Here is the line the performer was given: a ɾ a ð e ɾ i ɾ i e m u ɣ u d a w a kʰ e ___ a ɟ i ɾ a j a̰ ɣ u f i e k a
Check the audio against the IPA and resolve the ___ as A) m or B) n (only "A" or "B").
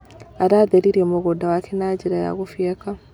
B